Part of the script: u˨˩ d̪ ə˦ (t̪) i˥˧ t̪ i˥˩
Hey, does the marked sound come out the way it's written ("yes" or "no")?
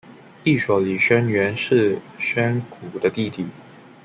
yes